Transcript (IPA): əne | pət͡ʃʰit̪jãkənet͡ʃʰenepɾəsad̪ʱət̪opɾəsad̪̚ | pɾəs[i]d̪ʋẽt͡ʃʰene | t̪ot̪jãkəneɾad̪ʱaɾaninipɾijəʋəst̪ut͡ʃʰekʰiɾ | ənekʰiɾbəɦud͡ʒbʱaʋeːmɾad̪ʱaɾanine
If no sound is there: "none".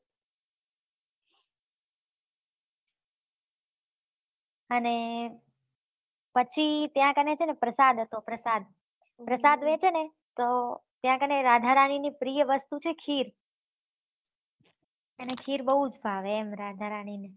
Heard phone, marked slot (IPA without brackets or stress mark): a